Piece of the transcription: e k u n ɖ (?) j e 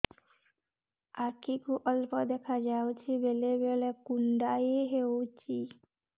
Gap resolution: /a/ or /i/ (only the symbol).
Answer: a